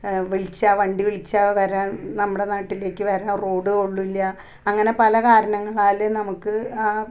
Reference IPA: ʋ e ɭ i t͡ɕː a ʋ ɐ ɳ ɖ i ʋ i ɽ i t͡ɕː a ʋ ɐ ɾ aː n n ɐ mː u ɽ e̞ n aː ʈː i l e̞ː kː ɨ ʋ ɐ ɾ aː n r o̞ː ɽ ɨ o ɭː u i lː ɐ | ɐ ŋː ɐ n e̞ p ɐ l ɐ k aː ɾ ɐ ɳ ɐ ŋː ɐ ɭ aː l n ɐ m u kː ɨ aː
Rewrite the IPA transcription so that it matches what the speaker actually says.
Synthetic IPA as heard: ʋ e ɭ i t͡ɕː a ʋ ɐ ɳ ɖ i ʋ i ɭ i t͡ɕː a ʋ ɐ ɾ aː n n ɐ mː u ɽ e̞ n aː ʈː i l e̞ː kː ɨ ʋ ɐ ɾ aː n r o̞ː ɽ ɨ o ɭː u i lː ɐ | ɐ ŋː ɐ n e̞ p ɐ l ɐ k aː ɾ ɐ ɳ ɐ ŋː ɐ ɭ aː l n ɐ m u kː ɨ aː